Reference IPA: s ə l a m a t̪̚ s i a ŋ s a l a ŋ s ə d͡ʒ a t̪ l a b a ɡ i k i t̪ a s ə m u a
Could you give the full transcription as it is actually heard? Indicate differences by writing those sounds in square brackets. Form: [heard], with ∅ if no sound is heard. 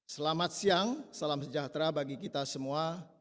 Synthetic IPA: s ə l a m a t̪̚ s i a ŋ s a l a [m] s ə d͡ʒ a t̪ [ɾ] a b a ɡ i k i t̪ a s ə m u a